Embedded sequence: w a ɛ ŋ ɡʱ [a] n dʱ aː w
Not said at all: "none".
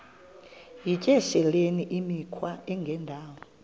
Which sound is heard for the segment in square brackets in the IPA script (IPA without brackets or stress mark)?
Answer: ɛ